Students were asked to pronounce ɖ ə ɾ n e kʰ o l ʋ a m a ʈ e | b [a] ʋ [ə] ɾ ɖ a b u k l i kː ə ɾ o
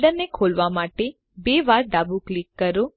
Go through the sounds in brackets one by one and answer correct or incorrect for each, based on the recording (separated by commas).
incorrect, incorrect